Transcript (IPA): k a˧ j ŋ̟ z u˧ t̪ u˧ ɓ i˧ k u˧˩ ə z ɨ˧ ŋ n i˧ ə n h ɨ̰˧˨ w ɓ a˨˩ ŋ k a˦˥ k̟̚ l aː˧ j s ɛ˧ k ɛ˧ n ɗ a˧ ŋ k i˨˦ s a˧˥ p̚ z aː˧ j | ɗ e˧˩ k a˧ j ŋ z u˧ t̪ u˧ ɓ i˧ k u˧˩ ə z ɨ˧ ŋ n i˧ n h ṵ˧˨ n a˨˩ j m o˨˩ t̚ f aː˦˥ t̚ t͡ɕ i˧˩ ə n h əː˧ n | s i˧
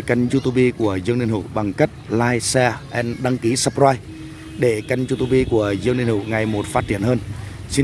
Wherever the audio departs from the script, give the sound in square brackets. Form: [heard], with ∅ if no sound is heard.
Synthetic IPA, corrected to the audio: k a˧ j ŋ̟ z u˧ t̪ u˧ ɓ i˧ k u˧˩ ə z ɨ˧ ŋ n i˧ ə n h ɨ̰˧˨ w ɓ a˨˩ ŋ k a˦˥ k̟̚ l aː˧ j s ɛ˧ [ʔ] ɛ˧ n ɗ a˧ ŋ k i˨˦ s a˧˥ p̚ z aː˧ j | ɗ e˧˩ k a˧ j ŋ z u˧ t̪ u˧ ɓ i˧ k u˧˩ ə z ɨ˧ ŋ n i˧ n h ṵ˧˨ [ŋ] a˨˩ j m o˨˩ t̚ f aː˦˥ t̚ t͡ɕ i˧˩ ə n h əː˧ n | s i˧

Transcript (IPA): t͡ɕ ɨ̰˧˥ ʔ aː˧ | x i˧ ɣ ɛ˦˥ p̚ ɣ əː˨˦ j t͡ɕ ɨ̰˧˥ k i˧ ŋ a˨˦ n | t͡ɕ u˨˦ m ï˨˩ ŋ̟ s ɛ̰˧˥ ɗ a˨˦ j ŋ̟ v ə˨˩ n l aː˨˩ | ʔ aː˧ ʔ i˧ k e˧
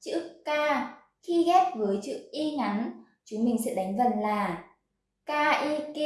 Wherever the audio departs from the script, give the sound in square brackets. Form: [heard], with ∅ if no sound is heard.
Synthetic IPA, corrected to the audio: t͡ɕ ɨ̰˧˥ [k] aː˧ | x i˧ ɣ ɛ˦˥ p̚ [v] əː˨˦ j t͡ɕ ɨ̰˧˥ [ʔ] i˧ ŋ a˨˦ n | t͡ɕ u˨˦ m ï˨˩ ŋ̟ s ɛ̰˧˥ ɗ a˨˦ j ŋ̟ v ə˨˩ n l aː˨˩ | [k] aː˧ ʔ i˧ k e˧

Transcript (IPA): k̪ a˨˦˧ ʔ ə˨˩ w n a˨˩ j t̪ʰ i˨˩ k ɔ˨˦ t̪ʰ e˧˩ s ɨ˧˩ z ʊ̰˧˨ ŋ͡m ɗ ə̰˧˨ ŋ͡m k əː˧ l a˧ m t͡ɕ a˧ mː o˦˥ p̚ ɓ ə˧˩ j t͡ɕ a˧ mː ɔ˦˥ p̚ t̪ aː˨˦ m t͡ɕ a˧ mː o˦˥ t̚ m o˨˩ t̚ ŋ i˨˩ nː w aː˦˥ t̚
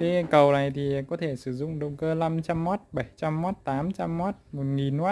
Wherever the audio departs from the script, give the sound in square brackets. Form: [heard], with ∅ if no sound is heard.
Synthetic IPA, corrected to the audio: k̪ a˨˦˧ [k] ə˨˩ w n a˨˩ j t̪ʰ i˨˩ k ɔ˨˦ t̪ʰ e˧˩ s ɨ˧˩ z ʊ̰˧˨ ŋ͡m ɗ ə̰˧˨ ŋ͡m k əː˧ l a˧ m t͡ɕ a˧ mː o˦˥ [t̚] ɓ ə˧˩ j t͡ɕ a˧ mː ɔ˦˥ [t̚] t̪ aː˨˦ m t͡ɕ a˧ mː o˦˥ t̚ m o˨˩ t̚ ŋ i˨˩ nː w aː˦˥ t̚

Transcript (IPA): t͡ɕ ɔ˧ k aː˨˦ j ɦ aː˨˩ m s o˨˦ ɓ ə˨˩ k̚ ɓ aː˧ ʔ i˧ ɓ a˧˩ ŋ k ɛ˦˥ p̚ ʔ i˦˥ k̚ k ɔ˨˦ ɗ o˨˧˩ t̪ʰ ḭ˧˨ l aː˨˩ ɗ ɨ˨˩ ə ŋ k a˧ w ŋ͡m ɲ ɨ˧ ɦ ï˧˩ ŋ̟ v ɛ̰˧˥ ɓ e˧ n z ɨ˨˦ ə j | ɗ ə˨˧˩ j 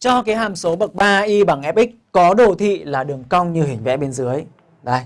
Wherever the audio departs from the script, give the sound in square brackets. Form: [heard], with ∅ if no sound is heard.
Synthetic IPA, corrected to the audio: t͡ɕ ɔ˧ k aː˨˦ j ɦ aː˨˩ m s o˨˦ ɓ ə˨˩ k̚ ɓ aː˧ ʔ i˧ ɓ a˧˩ ŋ [ʔ] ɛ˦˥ p̚ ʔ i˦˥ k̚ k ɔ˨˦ ɗ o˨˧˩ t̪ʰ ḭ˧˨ l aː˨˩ ɗ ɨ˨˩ ə ŋ k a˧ w ŋ͡m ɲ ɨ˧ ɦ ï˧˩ ŋ̟ v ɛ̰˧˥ ɓ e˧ n z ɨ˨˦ ə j | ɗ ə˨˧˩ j

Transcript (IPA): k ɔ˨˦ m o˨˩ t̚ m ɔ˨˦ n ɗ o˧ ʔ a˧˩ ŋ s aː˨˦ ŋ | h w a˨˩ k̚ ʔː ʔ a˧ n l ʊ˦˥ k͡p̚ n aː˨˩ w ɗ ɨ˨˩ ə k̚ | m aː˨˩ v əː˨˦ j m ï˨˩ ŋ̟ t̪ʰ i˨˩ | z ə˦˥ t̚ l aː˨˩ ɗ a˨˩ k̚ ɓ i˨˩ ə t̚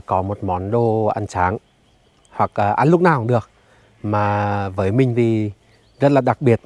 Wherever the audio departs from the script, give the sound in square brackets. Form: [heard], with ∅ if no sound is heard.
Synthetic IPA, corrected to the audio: k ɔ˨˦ m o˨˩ t̚ m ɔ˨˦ n ɗ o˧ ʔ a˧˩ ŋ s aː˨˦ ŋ | h w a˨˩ k̚ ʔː ʔ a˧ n l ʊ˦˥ k͡p̚ n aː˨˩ w ɗ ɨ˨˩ ə k̚ | m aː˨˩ v əː˨˦ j m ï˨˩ ŋ̟ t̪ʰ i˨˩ | z ə˦˥ t̚ l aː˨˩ ɗ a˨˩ k̚ ɓ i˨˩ ə t̚

